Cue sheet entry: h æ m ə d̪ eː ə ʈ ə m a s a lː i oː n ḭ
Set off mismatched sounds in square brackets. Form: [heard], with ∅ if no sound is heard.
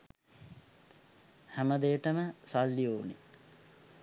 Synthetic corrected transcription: h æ m ə d̪ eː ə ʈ ə m [ə] s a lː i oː n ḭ